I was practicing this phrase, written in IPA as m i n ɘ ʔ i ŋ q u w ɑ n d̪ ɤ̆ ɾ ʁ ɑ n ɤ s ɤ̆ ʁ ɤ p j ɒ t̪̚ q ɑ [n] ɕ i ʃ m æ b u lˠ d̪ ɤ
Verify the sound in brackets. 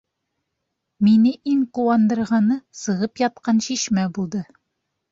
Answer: correct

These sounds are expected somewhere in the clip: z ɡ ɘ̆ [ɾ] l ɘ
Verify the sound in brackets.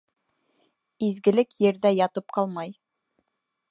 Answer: incorrect: none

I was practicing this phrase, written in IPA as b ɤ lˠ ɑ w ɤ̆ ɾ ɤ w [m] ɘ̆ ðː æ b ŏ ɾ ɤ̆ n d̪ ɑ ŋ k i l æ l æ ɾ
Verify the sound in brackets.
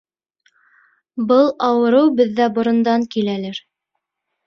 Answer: incorrect: b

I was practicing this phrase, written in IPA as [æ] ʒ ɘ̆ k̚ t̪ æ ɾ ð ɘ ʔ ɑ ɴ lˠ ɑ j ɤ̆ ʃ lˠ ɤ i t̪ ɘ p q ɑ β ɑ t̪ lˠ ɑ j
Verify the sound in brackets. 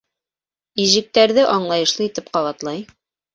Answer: incorrect: i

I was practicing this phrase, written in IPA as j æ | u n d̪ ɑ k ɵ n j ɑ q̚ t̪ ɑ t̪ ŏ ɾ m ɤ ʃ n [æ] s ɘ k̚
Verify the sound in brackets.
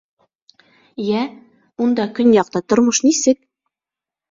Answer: incorrect: i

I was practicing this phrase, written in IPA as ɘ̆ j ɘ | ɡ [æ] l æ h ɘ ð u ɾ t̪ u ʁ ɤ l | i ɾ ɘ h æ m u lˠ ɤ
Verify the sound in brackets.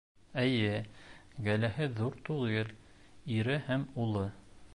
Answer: correct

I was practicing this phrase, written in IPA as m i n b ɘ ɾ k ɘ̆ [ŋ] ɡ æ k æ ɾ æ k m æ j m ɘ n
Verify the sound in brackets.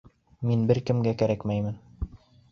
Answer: incorrect: m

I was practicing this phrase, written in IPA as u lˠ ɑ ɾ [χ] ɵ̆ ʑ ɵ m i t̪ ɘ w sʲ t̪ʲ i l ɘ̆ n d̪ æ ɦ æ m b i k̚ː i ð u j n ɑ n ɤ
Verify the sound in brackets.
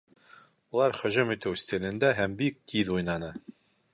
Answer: correct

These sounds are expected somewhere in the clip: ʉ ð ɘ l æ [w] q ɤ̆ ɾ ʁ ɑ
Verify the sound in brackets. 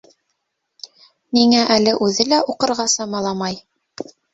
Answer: incorrect: u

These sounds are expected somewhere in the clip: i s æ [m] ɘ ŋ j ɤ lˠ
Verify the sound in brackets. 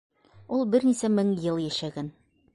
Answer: correct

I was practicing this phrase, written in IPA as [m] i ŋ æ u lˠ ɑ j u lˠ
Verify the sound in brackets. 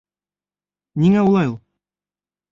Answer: incorrect: n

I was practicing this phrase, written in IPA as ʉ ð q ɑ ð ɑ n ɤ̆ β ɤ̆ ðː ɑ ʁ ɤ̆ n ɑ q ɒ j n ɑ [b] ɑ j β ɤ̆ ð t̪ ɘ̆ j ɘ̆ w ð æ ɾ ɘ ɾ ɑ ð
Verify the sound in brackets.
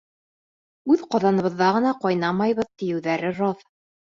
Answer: incorrect: m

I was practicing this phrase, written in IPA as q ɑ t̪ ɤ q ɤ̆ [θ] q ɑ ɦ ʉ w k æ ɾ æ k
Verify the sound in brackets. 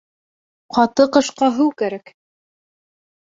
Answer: incorrect: ʃ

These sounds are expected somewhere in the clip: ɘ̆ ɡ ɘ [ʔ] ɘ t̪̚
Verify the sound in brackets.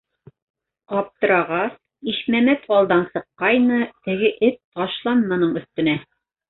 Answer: correct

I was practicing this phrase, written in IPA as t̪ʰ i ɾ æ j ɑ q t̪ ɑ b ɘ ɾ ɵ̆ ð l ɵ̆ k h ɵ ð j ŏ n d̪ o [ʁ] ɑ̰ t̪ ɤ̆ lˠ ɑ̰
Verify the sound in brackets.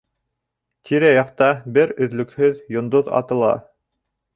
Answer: incorrect: ð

